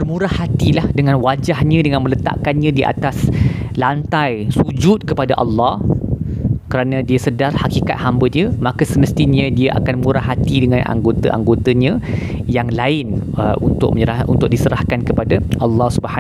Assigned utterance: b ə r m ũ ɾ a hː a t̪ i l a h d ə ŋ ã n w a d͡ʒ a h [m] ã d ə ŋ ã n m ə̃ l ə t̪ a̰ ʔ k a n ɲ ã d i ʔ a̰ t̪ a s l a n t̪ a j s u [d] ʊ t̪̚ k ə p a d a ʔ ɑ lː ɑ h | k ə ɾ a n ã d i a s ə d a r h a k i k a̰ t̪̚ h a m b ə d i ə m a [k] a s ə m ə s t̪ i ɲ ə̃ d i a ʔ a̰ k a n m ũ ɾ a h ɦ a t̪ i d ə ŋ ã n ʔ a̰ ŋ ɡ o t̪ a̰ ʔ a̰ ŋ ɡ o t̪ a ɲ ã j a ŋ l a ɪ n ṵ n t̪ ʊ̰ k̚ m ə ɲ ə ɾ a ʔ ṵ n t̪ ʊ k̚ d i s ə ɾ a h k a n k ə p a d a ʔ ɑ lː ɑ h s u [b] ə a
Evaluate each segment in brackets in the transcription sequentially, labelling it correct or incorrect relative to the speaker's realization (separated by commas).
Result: incorrect, incorrect, correct, correct